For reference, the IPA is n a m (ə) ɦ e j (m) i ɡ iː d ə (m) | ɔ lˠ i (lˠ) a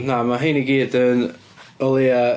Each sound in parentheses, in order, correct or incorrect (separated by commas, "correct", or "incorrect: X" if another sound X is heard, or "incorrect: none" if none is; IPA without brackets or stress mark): incorrect: a, incorrect: n, incorrect: n, incorrect: none